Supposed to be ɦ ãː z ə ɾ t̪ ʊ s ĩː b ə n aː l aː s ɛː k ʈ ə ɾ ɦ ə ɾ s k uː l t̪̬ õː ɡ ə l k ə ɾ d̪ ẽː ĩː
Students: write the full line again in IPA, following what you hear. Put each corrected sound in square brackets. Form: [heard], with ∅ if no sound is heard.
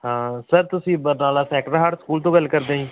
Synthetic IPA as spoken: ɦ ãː [s] ə ɾ t̪ ʊ s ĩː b ə n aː l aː s ɛː k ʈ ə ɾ ɦ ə ɾ s k uː l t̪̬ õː ɡ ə l k ə ɾ d̪ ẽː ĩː